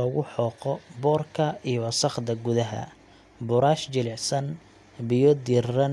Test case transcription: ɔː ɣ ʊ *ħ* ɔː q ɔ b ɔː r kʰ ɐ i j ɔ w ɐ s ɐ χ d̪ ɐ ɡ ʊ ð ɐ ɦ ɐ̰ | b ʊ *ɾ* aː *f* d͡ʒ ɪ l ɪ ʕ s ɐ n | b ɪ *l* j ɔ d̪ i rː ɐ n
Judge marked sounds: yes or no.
yes, yes, no, no

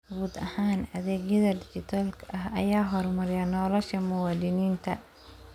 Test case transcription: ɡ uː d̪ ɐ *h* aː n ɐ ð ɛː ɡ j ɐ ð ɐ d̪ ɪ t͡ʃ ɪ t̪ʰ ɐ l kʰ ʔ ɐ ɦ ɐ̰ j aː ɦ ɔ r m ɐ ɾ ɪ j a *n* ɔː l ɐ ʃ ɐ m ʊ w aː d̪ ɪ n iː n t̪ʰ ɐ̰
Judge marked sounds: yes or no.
yes, yes

